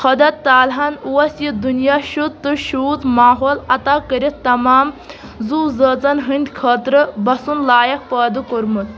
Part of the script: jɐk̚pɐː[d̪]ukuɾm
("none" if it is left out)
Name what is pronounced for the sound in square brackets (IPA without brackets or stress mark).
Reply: d̪